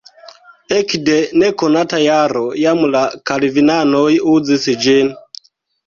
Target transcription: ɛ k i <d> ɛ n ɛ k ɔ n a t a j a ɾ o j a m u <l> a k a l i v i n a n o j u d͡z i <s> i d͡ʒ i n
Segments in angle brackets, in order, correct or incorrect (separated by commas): correct, correct, correct